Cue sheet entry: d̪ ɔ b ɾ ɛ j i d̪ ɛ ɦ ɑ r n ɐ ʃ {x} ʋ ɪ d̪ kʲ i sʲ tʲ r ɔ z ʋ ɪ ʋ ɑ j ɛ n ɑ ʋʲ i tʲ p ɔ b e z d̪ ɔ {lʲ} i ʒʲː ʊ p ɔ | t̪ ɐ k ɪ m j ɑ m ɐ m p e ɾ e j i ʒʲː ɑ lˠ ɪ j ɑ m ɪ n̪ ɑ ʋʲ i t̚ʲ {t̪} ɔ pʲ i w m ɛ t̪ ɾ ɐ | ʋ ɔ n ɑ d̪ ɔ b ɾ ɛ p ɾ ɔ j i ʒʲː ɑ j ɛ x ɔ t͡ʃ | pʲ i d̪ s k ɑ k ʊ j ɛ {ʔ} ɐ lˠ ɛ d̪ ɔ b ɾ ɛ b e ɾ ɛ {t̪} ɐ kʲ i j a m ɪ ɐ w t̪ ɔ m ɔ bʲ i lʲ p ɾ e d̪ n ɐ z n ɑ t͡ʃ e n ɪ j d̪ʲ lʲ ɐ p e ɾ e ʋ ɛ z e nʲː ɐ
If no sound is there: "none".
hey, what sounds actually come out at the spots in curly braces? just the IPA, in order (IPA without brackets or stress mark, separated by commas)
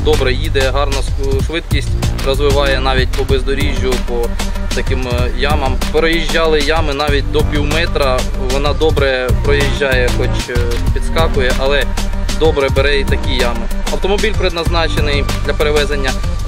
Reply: ʃ, ɾʲ, d̪, ʔ, t̪